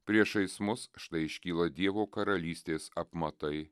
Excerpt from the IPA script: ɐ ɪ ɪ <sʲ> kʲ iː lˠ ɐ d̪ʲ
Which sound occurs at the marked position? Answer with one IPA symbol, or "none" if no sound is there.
ʃʲ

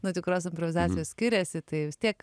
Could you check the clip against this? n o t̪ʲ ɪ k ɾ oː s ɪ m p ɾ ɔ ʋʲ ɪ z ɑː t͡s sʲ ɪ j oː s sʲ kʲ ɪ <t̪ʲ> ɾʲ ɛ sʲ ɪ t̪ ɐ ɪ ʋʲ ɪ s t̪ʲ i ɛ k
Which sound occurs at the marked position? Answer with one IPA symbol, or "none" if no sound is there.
none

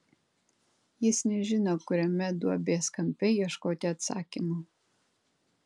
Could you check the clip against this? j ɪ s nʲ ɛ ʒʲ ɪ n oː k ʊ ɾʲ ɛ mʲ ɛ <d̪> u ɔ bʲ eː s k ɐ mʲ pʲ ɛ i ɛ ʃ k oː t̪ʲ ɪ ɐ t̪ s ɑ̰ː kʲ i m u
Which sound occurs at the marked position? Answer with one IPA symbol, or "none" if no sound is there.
d̪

